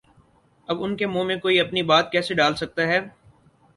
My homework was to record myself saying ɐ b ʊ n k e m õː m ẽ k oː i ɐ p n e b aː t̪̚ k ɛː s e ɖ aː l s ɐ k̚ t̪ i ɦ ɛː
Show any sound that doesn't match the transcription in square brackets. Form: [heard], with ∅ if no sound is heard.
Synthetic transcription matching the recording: ɐ b ʊ n k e m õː m ẽ k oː i ɐ p n [i] b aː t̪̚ k ɛː s e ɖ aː l s ɐ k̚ t̪ [a] ɦ ɛː